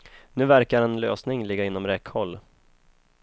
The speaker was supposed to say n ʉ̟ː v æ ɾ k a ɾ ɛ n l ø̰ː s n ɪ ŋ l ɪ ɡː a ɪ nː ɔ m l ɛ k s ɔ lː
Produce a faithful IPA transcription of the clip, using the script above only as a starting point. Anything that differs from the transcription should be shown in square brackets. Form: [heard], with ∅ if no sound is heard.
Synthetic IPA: n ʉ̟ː v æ ɾ k a ɾ ɛ n l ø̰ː s n ɪ ŋ l ɪ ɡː a ɪ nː ɔ m [ɾ] ɛ k [h] ɔ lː

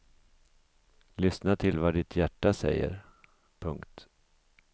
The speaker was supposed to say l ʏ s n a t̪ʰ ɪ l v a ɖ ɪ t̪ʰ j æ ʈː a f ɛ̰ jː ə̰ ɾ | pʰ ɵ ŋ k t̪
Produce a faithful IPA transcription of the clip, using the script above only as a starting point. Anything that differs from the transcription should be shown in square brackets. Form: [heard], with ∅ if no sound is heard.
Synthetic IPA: l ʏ s n a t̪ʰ ɪ l v a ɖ ɪ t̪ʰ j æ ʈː a [s] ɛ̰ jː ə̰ ɾ | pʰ ɵ ŋ k t̪

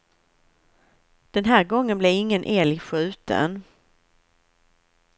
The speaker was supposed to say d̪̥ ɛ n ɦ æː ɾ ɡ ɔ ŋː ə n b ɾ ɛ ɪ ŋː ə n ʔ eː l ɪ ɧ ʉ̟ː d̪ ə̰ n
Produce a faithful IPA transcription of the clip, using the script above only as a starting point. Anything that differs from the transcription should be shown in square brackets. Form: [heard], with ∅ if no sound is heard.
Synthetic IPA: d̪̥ ɛ n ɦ æː ɾ ɡ ɔ ŋː ə n b [l] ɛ ɪ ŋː ə n ʔ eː l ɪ ɧ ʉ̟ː [t̪] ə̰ n

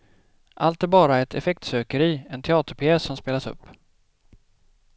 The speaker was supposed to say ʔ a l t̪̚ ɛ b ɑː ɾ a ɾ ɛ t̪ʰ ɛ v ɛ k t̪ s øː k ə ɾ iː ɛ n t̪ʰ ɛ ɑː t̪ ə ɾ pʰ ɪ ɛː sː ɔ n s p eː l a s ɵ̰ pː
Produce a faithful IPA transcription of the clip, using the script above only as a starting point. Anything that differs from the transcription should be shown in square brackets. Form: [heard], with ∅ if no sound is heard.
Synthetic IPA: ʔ a l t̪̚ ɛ b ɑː ɾ a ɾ ɛ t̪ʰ ɛ [f] ɛ k t̪ s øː k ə ɾ iː ɛ n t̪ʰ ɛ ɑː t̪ ə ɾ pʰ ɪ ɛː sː ɔ [m] s p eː l a s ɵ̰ pː

